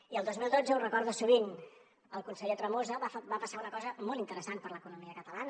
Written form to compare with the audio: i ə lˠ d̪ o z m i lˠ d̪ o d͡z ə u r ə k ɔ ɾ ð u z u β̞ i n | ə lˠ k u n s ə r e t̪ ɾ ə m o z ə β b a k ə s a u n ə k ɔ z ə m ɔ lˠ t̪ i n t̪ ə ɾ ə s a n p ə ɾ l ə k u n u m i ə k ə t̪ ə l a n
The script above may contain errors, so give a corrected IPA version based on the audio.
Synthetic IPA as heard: i ə lˠ d̪ o z m i lˠ d̪ o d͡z ə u r ə k ɔ ɾ ð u s u β̞ i n | ə lˠ k u n s ə ʎ e t̪ ɾ ə m o z ə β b a p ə s a u n ə k ɔ z ə m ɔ lˠ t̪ i n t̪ ə ɾ ə s a n p ə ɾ l ə k u n u m i ə k ə t̪ ə l a n